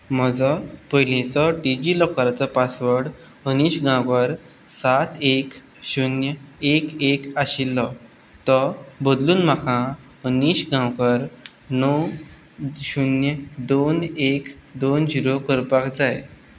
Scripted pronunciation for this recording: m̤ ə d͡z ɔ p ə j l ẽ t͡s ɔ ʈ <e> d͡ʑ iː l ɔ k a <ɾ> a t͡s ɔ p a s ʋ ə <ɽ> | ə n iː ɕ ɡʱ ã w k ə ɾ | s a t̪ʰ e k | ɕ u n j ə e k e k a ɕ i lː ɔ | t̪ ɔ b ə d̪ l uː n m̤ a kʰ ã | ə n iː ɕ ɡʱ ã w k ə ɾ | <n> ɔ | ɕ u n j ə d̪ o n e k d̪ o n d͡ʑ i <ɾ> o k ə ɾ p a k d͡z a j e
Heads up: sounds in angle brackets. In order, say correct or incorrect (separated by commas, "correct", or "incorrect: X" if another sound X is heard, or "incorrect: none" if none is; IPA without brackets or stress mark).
incorrect: i, correct, correct, correct, correct